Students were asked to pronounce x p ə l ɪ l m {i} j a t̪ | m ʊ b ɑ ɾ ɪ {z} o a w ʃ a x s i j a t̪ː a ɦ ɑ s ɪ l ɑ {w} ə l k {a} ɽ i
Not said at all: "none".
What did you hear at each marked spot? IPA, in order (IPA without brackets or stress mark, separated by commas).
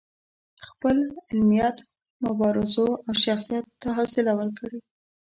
i, z, w, ə